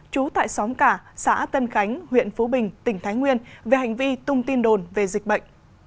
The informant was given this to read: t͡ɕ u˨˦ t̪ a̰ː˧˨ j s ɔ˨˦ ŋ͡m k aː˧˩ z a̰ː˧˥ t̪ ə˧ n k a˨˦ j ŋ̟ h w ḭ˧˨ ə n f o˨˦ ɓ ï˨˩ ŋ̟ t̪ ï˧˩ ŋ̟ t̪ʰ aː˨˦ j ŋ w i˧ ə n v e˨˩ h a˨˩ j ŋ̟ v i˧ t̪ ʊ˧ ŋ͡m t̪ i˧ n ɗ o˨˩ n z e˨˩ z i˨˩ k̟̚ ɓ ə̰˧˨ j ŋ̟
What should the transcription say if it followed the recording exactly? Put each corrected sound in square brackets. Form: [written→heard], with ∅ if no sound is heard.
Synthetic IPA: t͡ɕ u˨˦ t̪ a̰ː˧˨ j s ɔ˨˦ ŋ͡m k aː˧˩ [z→s] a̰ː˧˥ t̪ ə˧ n [k→x] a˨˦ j ŋ̟ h w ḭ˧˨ ə n f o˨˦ ɓ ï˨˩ ŋ̟ t̪ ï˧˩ ŋ̟ t̪ʰ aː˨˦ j ŋ w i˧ ə n v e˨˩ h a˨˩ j ŋ̟ v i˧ t̪ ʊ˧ ŋ͡m t̪ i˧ n ɗ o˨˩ n [z→v] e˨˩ z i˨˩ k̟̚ ɓ ə̰˧˨ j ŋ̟

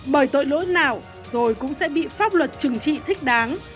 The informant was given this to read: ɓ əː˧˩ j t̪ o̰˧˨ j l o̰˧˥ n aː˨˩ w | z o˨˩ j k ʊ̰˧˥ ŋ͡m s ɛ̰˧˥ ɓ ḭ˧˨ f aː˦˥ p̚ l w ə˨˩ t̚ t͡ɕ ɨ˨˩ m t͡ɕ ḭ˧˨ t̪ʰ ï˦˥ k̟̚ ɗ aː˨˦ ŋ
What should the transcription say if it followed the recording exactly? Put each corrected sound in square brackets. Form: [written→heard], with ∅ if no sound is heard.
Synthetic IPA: ɓ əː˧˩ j t̪ o̰˧˨ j l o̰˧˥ n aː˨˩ w | z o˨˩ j k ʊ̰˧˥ ŋ͡m s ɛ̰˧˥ ɓ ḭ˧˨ f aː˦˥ p̚ l w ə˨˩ t̚ t͡ɕ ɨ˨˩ [m→ŋ] t͡ɕ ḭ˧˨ t̪ʰ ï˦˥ k̟̚ ɗ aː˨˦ ŋ

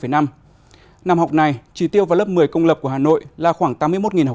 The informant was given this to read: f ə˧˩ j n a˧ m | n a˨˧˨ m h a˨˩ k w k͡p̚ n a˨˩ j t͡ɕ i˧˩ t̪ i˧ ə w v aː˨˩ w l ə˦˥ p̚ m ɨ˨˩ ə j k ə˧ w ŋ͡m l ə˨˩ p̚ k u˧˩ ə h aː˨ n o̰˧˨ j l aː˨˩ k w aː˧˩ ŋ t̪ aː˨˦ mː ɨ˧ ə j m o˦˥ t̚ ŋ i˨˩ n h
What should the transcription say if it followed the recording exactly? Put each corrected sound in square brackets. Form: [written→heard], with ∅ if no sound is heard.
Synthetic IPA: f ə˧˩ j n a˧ m | n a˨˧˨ m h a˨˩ [k→∅] w k͡p̚ n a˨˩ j t͡ɕ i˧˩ t̪ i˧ ə w v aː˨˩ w l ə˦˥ p̚ m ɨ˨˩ ə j k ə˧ w ŋ͡m l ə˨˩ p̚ k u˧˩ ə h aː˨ n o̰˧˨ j l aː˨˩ [k→x] w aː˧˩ ŋ t̪ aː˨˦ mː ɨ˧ ə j m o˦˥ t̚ ŋ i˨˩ n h

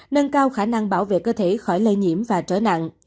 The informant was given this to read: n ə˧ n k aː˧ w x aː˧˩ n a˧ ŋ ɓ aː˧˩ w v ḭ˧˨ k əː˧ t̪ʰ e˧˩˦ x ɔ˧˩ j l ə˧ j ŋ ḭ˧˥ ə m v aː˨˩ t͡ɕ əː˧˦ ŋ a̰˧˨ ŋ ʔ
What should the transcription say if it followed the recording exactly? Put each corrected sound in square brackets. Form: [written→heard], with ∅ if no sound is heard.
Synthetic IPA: n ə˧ n k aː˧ w x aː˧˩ n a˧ ŋ ɓ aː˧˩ w v [ḭ˧˨→ḛ˧˨] k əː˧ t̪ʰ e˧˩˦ x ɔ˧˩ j l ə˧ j [ŋ→ɲ] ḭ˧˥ ə m v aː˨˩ t͡ɕ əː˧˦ [ŋ→n] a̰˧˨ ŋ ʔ

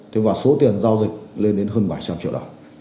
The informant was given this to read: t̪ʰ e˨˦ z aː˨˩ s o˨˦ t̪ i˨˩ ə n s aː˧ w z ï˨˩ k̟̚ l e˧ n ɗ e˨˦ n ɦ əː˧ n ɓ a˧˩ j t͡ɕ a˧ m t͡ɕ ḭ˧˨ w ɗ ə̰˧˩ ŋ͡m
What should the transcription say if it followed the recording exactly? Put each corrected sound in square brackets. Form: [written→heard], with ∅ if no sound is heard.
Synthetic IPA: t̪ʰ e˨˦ [z→v] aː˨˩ s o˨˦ t̪ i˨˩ ə n [s→z] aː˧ w z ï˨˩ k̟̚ l e˧ n ɗ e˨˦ n ɦ əː˧ n ɓ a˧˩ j t͡ɕ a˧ m t͡ɕ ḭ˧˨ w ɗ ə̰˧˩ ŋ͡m

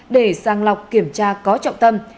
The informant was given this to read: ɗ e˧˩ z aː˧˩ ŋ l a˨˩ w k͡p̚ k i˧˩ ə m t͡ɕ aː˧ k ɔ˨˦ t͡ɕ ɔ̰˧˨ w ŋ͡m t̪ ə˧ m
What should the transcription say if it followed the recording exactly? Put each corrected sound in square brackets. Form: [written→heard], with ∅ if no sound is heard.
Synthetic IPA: ɗ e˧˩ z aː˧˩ ŋ l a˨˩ w k͡p̚ k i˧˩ ə m t͡ɕ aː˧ k ɔ˨˦ t͡ɕ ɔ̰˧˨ w ŋ͡m t̪ ə˧ m

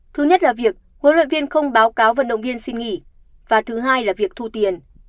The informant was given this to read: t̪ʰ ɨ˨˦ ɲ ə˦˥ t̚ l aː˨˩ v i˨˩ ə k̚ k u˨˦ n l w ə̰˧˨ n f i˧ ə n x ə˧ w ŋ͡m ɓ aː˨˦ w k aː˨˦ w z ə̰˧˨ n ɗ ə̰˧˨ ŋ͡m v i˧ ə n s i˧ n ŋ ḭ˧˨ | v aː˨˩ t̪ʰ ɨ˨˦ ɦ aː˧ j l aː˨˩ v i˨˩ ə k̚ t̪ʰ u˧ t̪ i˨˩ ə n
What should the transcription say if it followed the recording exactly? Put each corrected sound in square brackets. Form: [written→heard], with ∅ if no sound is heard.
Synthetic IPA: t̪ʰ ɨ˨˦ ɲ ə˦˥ t̚ l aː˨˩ v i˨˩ ə k̚ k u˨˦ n l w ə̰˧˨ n [f→v] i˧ ə n x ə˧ w ŋ͡m ɓ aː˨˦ w k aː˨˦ w [z→v] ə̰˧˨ n ɗ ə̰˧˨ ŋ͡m v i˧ ə n s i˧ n ŋ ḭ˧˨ | v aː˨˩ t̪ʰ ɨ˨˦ ɦ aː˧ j l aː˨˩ v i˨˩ ə k̚ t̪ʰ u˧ t̪ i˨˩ ə n

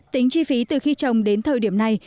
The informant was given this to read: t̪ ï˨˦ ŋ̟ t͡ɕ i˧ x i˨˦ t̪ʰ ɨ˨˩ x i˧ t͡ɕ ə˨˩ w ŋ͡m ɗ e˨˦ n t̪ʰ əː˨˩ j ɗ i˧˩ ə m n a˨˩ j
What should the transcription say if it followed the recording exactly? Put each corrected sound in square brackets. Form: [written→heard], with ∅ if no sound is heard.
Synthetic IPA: t̪ ï˨˦ ŋ̟ t͡ɕ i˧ [x→f] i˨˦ [t̪ʰ→t̪] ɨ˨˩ x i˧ t͡ɕ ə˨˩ w ŋ͡m ɗ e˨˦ n t̪ʰ əː˨˩ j ɗ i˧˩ ə m n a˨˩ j

